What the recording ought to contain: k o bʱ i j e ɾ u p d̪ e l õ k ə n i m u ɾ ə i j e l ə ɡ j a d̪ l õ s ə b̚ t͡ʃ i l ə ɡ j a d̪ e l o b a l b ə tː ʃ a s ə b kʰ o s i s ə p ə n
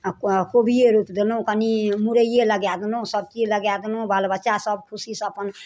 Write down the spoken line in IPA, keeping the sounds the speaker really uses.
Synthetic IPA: k o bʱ i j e ɾ u p d̪ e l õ k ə n i m u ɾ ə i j e l ə ɡ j a d̪ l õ s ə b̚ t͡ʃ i l ə ɡ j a d̪ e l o b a l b ə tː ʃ a s ə b kʰ u s i s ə p ə n

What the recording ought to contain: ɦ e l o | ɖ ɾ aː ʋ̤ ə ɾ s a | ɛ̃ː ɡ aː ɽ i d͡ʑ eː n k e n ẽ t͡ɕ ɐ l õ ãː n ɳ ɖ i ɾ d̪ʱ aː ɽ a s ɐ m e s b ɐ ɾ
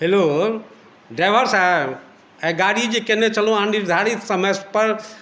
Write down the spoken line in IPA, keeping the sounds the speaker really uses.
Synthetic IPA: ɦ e l o | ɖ ɾ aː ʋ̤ ə ɾ s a | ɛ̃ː ɡ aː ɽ i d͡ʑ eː k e n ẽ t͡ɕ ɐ l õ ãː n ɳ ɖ i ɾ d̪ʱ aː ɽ i s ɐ m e s p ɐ ɾ

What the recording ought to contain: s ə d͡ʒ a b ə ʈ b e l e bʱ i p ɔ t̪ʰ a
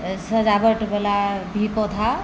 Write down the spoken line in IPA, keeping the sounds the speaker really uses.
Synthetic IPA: s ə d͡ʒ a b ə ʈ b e l a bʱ i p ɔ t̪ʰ a

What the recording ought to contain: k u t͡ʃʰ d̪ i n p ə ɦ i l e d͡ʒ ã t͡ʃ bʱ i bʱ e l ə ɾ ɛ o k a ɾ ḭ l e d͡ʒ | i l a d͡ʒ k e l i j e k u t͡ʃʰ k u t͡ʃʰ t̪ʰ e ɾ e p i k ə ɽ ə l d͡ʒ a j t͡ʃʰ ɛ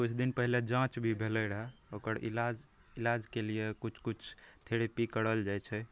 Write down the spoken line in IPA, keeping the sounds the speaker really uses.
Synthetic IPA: k u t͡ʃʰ d̪ i n p ə ɦ i l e d͡ʒ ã t͡ʃ bʱ i bʱ e l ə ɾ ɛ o k ə ɾ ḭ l a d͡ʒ | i l a d͡ʒ k e l i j e k u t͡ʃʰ k u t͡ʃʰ t̪ʰ e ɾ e p i k ə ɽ ə l d͡ʒ a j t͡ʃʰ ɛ

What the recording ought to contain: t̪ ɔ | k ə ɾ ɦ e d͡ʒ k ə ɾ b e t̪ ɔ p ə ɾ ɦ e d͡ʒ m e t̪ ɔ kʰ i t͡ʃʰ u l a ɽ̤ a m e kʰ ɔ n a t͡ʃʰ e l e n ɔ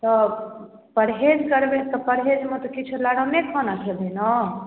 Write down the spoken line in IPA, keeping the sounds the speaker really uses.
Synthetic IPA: t̪ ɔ | p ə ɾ ɦ e d͡ʒ k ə ɾ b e t̪ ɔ p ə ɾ ɦ e d͡ʒ m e t̪ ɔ k i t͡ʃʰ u l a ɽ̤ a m e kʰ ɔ n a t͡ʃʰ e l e n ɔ

